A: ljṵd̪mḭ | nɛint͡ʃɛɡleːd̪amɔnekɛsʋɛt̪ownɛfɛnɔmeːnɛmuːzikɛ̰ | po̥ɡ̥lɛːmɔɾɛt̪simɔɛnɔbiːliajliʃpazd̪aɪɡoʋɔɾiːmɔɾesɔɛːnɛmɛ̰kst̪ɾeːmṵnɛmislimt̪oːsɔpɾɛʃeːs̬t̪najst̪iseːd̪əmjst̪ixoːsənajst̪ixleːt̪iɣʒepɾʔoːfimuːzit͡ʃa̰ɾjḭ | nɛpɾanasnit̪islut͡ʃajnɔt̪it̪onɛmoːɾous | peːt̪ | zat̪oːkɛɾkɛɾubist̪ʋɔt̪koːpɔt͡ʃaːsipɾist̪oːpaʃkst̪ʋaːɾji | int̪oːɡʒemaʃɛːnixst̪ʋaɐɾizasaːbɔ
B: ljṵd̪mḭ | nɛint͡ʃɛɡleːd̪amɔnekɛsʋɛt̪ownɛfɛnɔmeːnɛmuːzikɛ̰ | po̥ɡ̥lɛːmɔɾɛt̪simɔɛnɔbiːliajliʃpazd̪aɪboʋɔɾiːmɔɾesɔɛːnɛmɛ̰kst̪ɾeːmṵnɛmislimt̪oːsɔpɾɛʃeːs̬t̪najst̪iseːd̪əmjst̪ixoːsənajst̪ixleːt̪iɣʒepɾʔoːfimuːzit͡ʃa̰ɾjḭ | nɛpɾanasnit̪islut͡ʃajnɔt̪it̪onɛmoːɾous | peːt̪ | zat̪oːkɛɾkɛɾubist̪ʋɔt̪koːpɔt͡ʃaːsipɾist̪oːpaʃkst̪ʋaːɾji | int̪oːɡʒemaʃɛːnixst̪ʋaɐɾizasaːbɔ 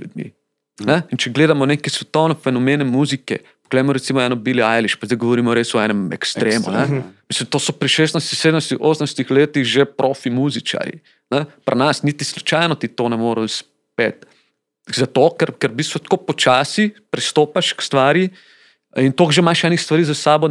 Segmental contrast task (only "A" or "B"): A